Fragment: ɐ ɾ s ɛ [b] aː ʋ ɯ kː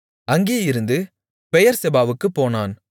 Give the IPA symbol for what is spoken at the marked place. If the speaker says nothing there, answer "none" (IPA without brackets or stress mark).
b